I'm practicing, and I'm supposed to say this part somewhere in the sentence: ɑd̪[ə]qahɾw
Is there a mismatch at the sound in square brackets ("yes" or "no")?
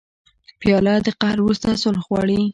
no